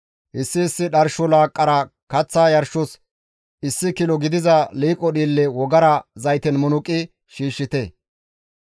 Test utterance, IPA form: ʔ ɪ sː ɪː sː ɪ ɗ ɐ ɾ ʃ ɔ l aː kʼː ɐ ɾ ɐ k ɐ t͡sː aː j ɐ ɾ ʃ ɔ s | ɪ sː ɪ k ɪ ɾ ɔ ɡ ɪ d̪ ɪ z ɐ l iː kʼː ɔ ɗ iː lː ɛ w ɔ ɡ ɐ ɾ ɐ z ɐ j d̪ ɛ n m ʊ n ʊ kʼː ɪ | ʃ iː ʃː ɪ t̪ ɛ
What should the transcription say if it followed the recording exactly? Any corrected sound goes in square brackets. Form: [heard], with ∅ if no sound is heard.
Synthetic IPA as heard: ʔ ɪ sː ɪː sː ɪ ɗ ɐ ɾ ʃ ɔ l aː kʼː ɐ ɾ ɐ k ɐ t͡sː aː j ɐ ɾ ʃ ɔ s | ɪ sː ɪ k ɪ [l] ɔ ɡ ɪ d̪ ɪ z ɐ l iː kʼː ɔ ɗ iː lː ɛ w ɔ ɡ ɐ ɾ ɐ z ɐ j [t̪] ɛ n m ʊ n ʊ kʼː ɪ | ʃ iː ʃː ɪ t̪ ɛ